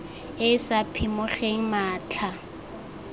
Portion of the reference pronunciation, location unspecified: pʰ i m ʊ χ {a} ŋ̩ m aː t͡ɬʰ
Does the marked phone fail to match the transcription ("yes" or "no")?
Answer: yes